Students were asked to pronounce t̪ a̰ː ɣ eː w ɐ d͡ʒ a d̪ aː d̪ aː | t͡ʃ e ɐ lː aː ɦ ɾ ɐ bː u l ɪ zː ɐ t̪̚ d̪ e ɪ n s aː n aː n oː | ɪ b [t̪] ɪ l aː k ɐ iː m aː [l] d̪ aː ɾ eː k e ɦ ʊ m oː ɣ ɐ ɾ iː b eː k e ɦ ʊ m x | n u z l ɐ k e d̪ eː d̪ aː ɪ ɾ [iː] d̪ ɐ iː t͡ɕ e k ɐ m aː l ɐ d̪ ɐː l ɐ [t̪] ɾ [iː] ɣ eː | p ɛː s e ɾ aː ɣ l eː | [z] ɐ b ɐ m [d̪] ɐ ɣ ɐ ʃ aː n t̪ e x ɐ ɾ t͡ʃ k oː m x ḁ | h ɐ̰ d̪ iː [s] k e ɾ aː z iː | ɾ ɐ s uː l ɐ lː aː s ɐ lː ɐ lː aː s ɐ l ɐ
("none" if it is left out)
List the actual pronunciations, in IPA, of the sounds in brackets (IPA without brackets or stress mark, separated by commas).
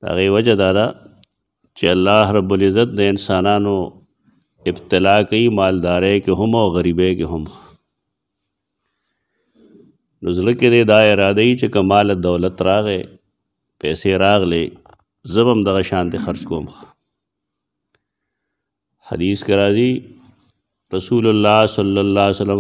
t̪, l, aː, t̪, aː, z, d̪, s